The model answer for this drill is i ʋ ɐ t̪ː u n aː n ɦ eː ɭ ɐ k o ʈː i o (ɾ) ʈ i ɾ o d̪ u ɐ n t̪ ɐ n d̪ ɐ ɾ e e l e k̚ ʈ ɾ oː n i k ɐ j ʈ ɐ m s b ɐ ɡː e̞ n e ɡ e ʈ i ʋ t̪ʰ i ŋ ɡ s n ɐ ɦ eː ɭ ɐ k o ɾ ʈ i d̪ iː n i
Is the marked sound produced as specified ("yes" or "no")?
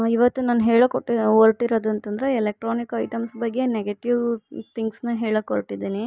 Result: yes